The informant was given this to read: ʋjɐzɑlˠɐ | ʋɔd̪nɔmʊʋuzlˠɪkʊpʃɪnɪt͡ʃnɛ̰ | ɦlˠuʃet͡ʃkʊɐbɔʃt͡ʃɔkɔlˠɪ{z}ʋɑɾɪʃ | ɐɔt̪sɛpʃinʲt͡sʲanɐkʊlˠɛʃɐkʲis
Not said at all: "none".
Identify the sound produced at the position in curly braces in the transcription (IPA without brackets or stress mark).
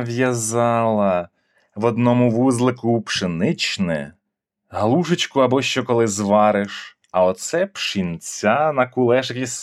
z